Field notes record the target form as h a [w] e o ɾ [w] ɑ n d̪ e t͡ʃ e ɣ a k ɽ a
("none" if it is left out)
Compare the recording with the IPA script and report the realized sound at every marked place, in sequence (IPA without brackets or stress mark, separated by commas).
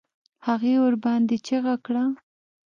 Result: ɣ, b